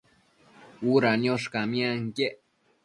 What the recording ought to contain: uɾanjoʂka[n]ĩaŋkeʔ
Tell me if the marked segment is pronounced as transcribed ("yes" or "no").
no